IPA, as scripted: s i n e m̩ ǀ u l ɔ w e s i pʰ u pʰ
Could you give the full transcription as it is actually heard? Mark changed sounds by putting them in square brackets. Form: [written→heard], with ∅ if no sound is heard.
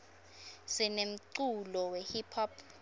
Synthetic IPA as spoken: s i n e m̩ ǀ u l ɔ w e [s→h] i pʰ [u→ɔ] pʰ

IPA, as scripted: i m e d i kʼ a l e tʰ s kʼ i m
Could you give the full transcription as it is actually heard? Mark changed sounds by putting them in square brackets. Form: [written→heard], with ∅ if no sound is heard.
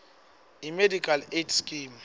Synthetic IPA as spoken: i m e d i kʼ a l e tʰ s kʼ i m

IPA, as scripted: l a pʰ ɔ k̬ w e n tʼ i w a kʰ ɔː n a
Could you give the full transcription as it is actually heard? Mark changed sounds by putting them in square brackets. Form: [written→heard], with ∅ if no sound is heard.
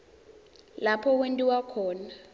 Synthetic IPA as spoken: l a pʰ ɔ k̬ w e n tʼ i w a kʰ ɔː n a

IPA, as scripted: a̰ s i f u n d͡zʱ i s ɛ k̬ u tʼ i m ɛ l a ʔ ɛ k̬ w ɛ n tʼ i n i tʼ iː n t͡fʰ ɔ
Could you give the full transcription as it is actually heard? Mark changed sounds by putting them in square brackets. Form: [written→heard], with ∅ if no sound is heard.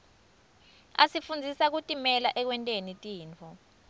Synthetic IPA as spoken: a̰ s i f u n d͡zʱ i s [ɛ→a] k̬ u tʼ i m ɛ l a ʔ ɛ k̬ w ɛ n tʼ [i→e] n i tʼ iː n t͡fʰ ɔ

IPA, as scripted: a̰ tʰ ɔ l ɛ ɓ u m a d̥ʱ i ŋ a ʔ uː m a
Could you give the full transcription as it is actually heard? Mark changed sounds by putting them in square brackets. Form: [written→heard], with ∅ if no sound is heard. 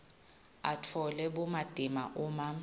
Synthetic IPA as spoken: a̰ tʰ ɔ l ɛ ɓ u m a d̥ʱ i [ŋ→m] a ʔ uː m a

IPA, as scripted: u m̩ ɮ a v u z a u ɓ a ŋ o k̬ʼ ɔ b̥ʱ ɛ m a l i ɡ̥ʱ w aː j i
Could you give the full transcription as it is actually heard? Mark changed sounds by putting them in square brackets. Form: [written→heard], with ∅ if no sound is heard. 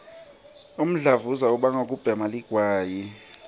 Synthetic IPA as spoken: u m̩ ɮ a v u z a u ɓ a ŋ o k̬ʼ [ɔ→u] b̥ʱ ɛ m a l i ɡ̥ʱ w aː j i

